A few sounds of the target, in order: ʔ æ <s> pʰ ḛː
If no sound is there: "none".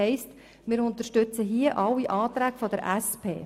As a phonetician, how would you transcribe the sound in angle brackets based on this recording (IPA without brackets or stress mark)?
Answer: s